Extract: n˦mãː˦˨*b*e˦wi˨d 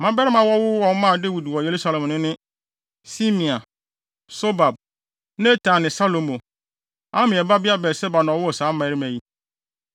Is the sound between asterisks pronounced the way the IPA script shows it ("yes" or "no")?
no